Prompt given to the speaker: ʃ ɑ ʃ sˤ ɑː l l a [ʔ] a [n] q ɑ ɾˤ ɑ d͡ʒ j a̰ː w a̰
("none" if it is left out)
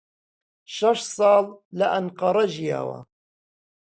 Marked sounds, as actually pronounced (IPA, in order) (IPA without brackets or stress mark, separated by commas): ʔ, n